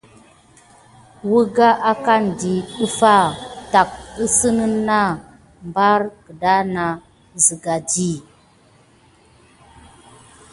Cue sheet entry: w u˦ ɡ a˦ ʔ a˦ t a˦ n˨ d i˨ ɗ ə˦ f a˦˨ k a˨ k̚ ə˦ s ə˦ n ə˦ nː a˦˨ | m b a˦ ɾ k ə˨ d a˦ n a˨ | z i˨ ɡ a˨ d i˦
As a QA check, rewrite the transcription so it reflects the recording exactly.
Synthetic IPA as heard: w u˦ ɡ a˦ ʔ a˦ k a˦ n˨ d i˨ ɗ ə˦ f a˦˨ t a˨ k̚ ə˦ s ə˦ n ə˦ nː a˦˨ | m b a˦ ɾ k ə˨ d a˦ n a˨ | z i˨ ɡ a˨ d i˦